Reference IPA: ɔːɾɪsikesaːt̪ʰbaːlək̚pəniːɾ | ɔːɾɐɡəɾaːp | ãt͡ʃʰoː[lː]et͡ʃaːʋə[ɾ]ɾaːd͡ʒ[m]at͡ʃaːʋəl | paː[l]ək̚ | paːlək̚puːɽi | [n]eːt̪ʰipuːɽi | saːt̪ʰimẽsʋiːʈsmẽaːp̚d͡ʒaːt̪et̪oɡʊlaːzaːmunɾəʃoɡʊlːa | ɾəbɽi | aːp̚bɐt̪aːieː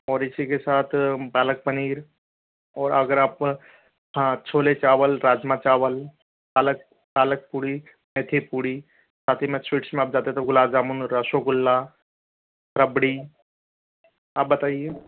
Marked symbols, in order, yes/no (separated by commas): no, no, yes, yes, no